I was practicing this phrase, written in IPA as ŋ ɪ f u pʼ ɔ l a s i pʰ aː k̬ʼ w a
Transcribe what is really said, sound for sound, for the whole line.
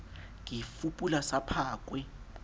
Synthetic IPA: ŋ i f u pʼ u l a s a pʰ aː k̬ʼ w ɛ